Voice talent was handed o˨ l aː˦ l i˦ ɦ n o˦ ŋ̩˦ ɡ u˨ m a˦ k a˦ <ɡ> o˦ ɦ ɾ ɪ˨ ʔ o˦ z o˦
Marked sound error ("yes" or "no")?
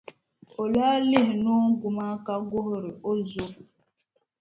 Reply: no